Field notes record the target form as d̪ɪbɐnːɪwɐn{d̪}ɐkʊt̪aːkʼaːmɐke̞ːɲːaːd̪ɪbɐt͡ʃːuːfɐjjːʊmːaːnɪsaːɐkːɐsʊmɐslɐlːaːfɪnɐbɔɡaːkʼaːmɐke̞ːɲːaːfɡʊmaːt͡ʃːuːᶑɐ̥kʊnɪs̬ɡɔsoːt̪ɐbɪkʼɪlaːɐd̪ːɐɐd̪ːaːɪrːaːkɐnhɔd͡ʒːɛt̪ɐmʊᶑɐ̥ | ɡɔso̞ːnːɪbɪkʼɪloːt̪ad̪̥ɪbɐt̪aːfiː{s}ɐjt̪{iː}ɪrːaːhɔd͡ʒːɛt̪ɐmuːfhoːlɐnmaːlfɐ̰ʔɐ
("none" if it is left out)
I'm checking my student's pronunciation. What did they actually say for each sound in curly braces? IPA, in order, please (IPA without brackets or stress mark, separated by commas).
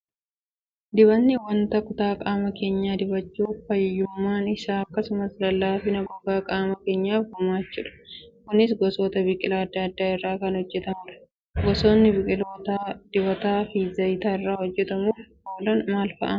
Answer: t̪, z, aː